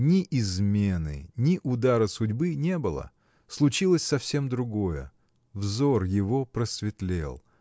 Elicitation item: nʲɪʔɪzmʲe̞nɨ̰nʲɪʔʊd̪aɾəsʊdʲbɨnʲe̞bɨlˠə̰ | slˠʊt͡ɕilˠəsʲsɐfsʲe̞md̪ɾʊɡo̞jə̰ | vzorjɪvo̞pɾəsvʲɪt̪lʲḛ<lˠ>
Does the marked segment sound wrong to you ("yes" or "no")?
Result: no